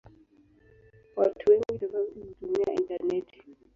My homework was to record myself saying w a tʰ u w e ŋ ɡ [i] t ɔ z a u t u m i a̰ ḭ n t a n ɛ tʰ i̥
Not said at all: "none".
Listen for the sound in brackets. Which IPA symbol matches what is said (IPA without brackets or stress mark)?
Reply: i